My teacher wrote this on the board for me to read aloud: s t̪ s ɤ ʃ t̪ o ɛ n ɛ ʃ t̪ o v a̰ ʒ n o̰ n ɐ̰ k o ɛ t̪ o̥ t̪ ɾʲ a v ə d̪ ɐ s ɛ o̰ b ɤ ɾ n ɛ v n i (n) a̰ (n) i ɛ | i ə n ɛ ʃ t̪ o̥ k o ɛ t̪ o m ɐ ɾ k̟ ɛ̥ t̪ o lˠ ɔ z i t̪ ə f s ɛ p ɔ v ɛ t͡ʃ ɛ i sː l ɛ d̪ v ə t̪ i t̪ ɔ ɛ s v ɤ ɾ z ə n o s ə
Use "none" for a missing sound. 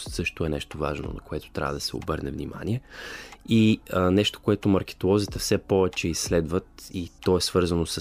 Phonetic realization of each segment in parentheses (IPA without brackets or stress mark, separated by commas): m, n